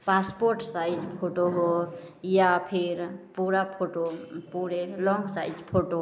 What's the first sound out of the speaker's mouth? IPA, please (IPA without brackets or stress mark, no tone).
p